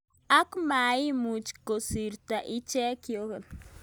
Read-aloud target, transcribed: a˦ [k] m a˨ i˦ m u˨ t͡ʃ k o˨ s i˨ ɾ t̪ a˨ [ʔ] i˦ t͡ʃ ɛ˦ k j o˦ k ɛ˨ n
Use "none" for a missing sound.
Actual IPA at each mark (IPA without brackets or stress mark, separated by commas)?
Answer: k, ʔ